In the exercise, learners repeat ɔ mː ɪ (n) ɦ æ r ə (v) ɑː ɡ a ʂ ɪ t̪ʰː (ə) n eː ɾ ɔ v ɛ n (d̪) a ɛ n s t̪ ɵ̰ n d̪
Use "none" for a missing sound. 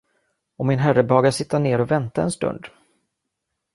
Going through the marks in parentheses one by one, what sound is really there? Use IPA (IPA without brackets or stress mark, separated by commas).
n, b, a, t̪